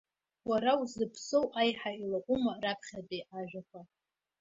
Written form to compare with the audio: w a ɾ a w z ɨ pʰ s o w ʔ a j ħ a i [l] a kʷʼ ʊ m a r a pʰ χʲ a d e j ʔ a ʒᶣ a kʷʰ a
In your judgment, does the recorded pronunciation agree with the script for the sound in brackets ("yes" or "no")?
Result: yes